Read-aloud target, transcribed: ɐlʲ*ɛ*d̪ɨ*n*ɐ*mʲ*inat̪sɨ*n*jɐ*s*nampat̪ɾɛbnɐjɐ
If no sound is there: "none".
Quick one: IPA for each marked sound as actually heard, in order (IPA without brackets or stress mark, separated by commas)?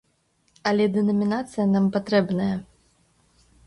ɛ, n, mʲ, none, none